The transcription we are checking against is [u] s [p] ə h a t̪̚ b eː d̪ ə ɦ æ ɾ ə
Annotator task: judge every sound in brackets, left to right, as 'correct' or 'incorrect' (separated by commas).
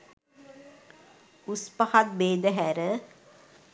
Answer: correct, correct